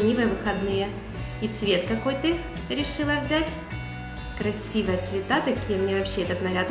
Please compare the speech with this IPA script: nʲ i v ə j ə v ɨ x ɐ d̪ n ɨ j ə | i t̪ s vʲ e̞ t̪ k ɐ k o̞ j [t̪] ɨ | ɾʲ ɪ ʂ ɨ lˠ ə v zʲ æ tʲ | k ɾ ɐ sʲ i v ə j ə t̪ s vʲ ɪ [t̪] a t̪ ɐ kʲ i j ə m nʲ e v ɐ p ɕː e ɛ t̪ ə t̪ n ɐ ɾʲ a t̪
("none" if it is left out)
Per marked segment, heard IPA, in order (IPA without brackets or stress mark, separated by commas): t̪, t̪